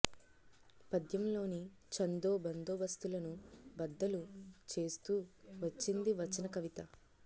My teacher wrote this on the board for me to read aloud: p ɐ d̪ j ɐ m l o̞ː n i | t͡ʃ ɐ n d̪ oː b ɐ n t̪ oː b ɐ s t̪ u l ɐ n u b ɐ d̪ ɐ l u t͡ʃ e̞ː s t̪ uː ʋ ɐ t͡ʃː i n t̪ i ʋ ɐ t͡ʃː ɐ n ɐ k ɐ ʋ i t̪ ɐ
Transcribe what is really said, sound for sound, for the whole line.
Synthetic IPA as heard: p ɐ d̪ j ɐ m l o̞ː n i | t͡ʃ ɐ n d̪ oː b ɐ n d̪ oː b ɐ s t̪ u l ɐ n u b ɐ d̪ː ɐ l u t͡ʃ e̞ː s t̪ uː ʋ ɐ t͡ʃː i n d̪ i ʋ ɐ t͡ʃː ɐ n ɐ k ɐ ʋ i t̪ ɐ